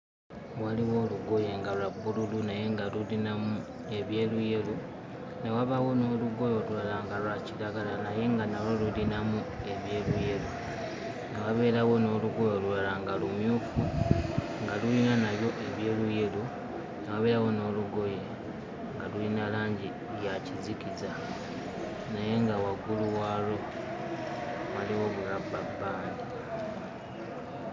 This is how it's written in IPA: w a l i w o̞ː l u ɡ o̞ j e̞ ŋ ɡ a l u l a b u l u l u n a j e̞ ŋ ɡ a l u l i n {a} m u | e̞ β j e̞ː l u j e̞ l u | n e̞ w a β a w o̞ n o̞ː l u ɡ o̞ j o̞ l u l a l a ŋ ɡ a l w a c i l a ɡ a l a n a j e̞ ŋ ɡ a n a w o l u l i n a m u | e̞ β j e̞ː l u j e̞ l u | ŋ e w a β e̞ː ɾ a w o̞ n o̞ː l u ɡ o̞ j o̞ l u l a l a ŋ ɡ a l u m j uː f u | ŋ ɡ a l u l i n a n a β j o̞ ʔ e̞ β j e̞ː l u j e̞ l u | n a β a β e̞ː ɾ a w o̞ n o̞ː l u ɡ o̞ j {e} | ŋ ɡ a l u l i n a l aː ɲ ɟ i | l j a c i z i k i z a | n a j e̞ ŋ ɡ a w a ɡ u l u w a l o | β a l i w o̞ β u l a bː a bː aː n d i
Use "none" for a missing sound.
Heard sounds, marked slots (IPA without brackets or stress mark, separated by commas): a, e